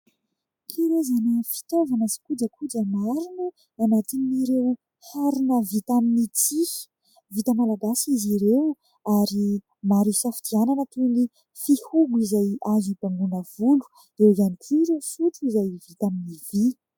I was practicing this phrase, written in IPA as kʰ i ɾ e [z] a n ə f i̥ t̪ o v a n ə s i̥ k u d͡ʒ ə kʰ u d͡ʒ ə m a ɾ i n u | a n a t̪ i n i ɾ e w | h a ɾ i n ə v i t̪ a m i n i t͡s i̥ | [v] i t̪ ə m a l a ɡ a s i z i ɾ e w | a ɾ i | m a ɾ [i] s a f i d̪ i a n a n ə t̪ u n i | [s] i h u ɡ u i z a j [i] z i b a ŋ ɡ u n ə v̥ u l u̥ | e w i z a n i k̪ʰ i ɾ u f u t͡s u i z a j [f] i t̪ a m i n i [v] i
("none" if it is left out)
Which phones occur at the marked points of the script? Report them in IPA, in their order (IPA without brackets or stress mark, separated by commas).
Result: z, v, i, f, a, v, v